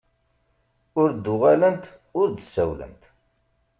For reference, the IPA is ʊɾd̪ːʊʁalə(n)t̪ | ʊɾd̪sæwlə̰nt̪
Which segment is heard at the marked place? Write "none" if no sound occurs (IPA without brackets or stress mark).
n